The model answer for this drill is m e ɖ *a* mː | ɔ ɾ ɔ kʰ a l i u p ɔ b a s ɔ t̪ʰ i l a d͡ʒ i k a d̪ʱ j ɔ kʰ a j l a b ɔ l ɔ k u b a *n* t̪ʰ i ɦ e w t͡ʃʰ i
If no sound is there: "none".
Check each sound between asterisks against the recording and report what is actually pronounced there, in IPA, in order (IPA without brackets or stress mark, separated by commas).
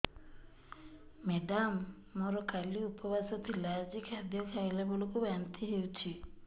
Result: a, n